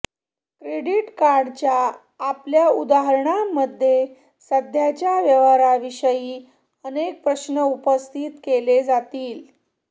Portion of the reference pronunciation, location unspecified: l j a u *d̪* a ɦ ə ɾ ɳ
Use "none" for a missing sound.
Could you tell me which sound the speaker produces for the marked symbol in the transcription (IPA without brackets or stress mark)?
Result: d̪